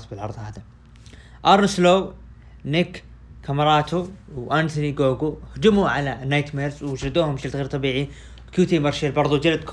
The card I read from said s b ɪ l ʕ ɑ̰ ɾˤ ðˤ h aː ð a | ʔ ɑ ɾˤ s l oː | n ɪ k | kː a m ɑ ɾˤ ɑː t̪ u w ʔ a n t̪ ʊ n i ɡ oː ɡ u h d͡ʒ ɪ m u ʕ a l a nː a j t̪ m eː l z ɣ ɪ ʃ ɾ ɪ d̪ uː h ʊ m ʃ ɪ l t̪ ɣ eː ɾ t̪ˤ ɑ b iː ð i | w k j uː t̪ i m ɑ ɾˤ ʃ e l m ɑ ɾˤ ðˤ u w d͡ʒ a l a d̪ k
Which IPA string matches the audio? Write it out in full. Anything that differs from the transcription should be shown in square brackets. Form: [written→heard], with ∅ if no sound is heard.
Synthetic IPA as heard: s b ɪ l ʕ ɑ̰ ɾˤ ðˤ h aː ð a | ʔ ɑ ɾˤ s l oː | n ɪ k | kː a m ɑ ɾˤ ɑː t̪ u w ʔ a n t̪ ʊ n i ɡ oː ɡ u h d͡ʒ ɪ m u ʕ a l a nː a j t̪ m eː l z [ɣ→w] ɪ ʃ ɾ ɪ d̪ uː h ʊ m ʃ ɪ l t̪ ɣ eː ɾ t̪ˤ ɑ b iː [ð→ʕ] i | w k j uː t̪ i m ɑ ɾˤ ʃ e l [m→b] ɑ ɾˤ ðˤ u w d͡ʒ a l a d̪ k